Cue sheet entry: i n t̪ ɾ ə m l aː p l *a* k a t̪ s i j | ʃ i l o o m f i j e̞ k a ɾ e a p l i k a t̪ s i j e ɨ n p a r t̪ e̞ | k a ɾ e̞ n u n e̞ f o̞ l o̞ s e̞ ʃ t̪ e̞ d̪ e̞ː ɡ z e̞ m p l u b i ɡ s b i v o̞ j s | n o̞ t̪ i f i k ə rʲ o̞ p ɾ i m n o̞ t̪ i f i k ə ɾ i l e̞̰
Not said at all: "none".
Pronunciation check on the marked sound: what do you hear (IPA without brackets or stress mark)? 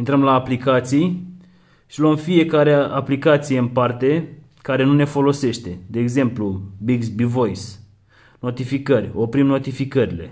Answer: i